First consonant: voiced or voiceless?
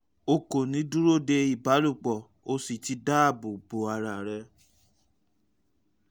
voiceless